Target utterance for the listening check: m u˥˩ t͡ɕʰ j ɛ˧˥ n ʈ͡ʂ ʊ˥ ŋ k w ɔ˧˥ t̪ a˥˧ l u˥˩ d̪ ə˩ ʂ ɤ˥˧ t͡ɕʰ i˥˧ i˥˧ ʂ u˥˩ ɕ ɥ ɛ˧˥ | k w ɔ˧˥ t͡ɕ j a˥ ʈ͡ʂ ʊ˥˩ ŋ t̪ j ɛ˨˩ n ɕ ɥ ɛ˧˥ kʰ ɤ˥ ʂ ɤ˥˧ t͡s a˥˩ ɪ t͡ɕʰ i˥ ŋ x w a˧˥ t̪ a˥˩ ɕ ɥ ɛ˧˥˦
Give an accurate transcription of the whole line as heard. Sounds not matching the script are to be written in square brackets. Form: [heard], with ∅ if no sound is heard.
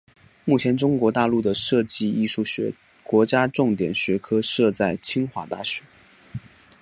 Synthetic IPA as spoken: m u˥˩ t͡ɕʰ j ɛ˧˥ n ʈ͡ʂ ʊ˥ ŋ k w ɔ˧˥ t̪ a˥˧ l u˥˩ d̪ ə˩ ʂ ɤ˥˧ [t͡ɕ] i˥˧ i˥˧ ʂ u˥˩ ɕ ɥ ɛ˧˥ | k w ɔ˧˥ t͡ɕ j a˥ ʈ͡ʂ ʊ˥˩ ŋ t̪ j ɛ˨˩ n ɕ ɥ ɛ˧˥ kʰ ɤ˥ ʂ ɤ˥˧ t͡s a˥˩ ɪ t͡ɕʰ i˥ ŋ x w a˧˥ t̪ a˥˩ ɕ ɥ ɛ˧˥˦